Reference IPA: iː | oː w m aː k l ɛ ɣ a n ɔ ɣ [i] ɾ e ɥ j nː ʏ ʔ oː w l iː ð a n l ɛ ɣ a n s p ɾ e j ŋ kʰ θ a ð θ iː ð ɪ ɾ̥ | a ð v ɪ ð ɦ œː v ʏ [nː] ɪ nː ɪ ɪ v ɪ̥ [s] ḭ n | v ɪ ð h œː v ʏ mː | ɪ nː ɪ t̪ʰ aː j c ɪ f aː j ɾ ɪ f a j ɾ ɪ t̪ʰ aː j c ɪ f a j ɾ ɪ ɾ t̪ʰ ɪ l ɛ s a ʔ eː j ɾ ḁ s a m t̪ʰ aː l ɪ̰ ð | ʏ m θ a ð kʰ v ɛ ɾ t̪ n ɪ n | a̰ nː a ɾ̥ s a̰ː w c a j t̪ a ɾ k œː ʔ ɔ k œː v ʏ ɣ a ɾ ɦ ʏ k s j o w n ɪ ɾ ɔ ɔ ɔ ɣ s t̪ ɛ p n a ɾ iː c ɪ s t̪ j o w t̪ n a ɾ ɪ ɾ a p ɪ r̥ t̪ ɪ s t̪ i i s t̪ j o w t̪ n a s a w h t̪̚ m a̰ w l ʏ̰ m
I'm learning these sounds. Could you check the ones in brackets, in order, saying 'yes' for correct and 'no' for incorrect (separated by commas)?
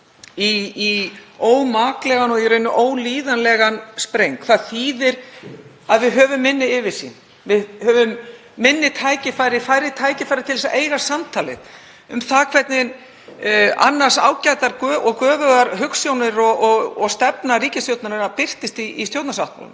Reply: yes, no, yes